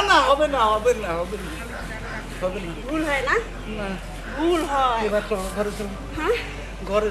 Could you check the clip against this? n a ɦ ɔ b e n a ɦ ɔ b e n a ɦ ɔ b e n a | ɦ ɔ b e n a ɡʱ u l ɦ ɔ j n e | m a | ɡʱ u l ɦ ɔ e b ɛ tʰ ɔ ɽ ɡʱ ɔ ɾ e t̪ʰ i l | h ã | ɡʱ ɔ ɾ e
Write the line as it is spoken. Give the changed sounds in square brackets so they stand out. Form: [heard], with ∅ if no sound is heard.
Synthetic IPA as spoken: n a ɦ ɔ b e n a ɦ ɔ b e n a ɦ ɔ b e n a | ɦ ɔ b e n a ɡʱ u l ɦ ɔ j n [a] | [n] a | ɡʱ u l ɦ ɔ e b [a] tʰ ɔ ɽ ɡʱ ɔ ɾ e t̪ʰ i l | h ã | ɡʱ ɔ ɾ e